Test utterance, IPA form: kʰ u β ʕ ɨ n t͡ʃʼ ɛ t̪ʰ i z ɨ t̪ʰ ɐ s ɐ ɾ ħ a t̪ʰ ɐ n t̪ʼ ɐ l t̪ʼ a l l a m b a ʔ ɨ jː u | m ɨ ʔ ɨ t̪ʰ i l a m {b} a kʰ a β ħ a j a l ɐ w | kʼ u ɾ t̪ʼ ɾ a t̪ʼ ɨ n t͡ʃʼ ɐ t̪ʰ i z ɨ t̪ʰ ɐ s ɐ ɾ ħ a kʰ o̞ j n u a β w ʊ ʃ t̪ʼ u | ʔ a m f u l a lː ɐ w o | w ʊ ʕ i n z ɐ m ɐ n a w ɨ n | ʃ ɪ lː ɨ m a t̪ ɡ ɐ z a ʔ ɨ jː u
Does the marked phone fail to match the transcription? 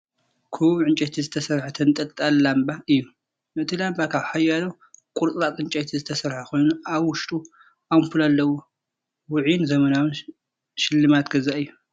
no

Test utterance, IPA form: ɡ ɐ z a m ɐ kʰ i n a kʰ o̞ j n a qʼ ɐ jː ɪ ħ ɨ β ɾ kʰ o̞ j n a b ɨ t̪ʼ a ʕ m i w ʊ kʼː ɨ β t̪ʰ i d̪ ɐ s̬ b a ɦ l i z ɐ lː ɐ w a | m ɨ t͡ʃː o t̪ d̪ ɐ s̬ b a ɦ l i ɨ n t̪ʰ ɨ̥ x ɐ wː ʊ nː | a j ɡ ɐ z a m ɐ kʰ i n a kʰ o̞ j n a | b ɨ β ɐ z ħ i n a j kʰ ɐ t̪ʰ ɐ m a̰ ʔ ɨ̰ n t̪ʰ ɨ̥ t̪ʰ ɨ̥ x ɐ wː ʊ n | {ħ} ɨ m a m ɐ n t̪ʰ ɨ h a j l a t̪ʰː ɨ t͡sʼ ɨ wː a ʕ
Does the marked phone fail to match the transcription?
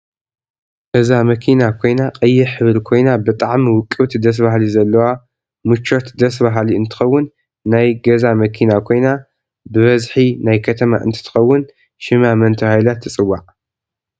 yes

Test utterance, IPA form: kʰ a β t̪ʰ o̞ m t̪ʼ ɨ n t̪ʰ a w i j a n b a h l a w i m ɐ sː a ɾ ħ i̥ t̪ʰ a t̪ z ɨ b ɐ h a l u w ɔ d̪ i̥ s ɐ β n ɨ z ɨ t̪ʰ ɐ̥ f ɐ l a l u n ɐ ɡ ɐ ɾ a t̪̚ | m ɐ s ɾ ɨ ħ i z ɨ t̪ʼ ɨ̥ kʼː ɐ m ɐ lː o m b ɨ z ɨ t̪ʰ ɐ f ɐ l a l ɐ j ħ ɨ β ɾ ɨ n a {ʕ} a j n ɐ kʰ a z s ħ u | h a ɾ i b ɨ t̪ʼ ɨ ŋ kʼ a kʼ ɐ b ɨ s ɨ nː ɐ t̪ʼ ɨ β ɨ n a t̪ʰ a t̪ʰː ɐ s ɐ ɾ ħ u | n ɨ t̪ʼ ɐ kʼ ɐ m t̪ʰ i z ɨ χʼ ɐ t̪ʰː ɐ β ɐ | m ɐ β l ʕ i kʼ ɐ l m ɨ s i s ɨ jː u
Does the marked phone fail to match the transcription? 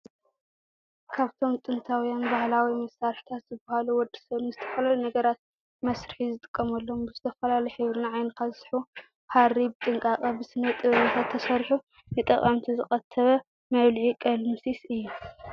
no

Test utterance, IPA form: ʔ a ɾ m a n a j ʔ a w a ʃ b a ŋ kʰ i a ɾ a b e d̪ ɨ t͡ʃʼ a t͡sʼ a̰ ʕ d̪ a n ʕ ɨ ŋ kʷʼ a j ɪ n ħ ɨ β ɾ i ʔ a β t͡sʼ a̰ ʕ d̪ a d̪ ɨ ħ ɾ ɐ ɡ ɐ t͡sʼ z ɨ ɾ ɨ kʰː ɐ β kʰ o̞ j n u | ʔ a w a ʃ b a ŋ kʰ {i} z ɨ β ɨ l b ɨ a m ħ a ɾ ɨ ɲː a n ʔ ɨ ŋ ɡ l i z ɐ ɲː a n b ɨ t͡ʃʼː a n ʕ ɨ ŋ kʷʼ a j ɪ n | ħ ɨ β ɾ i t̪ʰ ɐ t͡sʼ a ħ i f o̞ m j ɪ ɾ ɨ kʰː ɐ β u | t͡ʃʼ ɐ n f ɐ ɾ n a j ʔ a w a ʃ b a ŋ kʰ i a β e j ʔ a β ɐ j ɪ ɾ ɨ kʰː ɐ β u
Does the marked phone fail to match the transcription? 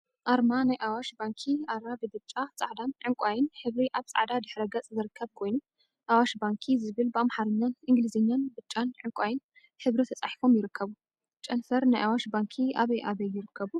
no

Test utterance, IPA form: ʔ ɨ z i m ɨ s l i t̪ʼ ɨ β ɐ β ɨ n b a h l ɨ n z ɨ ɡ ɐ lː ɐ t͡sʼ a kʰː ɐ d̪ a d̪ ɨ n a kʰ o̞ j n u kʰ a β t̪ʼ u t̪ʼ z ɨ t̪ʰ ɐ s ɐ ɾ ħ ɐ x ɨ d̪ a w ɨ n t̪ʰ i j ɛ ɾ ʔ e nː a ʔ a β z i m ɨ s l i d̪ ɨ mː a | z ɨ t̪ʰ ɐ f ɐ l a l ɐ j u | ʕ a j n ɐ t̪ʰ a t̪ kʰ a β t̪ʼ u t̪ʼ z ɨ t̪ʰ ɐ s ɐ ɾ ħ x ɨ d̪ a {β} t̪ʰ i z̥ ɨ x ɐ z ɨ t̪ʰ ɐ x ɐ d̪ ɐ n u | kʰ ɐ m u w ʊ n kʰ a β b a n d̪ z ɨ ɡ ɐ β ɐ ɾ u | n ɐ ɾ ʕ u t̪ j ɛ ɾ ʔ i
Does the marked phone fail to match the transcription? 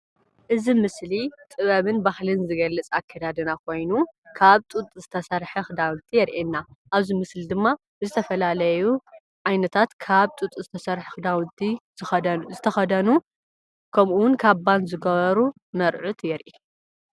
yes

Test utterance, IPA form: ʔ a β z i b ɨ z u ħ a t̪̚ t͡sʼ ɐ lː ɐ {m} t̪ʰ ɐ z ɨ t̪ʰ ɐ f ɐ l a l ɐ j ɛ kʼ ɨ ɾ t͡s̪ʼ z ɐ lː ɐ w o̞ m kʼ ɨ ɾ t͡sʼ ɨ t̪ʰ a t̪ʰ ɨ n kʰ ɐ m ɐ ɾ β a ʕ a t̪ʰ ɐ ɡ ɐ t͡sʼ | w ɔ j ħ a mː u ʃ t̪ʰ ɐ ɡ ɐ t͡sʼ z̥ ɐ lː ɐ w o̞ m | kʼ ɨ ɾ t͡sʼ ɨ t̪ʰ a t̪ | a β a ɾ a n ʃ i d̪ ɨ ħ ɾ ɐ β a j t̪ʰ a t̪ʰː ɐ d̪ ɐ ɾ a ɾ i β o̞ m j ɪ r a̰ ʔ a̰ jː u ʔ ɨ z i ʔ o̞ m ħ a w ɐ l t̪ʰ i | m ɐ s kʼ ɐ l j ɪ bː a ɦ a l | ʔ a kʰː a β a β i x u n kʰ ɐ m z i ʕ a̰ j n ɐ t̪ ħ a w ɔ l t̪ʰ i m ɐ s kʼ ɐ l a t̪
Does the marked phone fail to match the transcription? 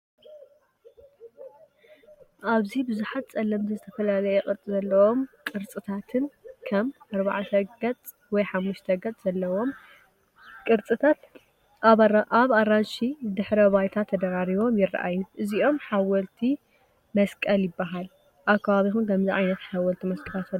no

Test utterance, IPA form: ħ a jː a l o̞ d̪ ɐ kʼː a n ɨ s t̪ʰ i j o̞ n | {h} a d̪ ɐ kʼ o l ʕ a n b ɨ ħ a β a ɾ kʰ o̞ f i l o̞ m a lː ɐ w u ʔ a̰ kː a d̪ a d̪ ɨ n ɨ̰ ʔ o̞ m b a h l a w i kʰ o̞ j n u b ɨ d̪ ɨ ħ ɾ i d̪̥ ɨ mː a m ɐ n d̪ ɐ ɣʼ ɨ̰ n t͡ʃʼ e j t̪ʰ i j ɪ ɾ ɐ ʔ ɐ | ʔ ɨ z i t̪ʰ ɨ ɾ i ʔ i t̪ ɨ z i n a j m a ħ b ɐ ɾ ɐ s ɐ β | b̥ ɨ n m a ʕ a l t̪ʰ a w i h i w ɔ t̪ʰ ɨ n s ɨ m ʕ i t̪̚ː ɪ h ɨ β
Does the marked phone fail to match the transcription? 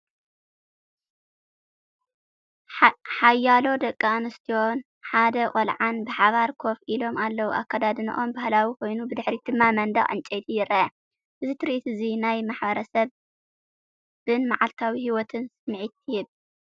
yes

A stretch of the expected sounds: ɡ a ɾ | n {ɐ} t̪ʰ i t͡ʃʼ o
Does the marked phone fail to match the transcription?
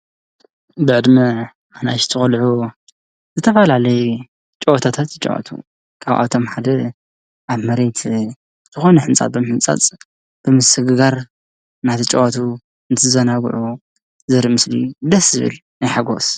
yes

